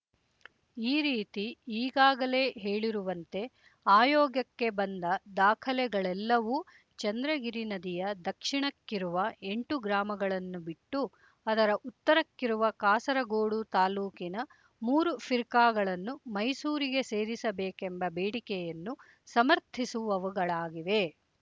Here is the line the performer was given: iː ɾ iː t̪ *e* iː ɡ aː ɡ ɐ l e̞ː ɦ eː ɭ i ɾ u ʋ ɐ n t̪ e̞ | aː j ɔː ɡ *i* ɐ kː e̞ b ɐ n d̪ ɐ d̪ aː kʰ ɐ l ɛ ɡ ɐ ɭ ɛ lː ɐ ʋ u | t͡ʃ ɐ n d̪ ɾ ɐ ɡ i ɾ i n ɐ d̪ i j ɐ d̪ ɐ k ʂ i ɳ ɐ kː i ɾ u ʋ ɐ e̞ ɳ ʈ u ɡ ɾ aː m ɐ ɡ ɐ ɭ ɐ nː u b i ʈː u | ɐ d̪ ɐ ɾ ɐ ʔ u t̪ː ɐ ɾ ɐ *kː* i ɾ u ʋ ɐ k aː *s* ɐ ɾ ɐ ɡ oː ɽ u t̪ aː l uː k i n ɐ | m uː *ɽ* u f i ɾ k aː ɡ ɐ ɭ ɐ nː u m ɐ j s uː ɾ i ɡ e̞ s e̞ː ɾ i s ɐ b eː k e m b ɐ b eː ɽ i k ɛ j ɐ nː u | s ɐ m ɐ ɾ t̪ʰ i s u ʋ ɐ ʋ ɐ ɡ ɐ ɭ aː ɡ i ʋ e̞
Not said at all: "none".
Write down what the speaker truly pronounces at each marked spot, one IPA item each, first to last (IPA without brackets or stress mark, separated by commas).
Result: i, j, kː, s, ɾ